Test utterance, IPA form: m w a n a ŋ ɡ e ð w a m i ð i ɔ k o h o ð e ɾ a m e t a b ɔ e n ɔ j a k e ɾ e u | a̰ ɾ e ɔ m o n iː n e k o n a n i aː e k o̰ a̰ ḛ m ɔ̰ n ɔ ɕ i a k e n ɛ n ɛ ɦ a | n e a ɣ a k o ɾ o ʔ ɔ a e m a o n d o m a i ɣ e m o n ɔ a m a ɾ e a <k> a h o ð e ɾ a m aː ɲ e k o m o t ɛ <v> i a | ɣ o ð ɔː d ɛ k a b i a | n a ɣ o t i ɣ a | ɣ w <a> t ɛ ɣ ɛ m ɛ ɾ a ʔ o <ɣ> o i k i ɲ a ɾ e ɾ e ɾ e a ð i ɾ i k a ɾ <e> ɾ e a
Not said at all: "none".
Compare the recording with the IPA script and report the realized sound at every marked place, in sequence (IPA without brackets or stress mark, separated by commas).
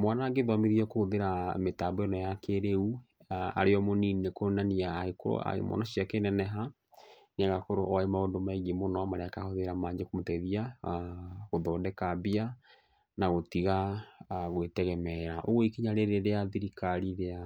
k, ð, e, ɣ, i